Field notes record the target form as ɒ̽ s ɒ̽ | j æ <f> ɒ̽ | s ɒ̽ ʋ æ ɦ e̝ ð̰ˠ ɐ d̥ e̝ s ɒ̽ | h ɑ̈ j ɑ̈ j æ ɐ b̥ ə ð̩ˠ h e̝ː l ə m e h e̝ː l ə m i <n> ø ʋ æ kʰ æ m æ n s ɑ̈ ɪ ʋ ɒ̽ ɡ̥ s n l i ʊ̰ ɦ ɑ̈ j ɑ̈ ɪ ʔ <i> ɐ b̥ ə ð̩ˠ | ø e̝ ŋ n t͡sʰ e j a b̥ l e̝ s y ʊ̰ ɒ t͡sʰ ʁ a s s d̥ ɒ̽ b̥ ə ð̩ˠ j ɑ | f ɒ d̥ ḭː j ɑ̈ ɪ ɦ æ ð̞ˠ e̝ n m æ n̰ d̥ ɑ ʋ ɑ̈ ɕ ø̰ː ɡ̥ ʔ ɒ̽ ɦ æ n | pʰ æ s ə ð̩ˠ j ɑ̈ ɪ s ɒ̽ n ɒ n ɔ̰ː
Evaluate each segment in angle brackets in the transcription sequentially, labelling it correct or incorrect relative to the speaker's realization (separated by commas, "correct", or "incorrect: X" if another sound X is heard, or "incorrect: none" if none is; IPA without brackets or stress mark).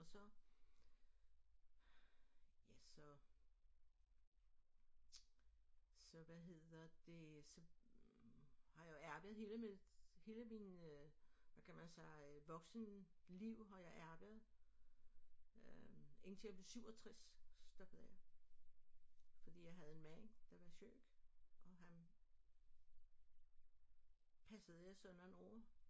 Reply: incorrect: s, correct, incorrect: æ